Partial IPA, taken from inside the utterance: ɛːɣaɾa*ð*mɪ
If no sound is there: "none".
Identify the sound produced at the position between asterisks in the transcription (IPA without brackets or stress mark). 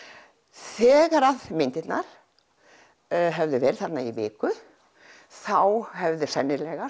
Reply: ð